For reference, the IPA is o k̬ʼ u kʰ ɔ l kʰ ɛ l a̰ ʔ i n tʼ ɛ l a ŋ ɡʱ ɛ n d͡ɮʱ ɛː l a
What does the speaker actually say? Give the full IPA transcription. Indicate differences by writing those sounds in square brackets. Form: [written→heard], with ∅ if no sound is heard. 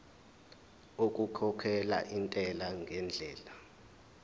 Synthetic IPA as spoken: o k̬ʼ u kʰ ɔ [l→∅] kʰ ɛ l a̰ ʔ i n tʼ ɛ l a ŋ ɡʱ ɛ n d͡ɮʱ ɛː l a

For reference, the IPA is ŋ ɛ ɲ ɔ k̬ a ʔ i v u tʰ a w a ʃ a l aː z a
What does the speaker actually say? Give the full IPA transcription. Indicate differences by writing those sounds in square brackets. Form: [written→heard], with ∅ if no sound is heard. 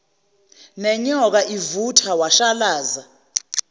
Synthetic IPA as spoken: [ŋ→n] ɛ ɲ ɔ k̬ a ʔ i v u tʰ a w a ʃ a l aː z a

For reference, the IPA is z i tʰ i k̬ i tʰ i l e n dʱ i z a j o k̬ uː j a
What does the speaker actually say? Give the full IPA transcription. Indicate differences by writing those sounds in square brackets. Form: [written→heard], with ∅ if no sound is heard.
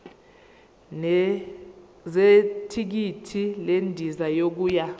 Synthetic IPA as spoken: z [i→e] tʰ i k̬ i tʰ i l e n dʱ i z a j o k̬ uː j a

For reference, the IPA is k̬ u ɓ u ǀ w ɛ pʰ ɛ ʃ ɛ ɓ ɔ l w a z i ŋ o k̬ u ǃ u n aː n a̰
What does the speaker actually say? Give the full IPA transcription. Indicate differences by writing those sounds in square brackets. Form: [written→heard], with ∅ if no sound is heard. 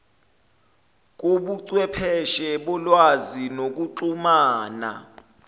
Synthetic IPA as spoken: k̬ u ɓ u ǀ w ɛ pʰ ɛ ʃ ɛ ɓ ɔ l w a z i [ŋ→n] o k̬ u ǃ u [n→m] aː n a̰

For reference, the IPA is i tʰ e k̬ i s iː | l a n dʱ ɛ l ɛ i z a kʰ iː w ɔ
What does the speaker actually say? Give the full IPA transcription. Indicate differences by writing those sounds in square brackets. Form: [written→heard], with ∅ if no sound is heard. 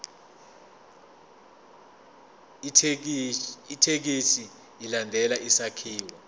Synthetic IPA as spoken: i tʰ e k̬ i s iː | l a n dʱ ɛ l [ɛ→a] i [z→s] a kʰ iː w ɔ

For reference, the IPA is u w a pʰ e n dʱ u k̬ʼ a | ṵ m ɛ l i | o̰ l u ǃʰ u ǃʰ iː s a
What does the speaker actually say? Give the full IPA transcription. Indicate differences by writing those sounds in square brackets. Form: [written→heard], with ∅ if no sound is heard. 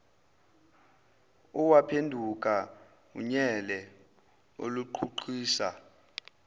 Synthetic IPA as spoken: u w a pʰ e n dʱ u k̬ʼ a | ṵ [m→ɲ] ɛ l [i→ɛ] | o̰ l u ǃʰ u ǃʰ iː s a

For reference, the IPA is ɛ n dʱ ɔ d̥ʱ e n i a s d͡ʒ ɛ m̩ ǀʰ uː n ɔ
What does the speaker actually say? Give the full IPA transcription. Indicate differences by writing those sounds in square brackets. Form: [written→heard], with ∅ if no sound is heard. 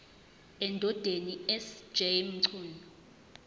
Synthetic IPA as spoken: ɛ n dʱ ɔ d̥ʱ e n i [a→ɛ] s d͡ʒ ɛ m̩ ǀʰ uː n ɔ

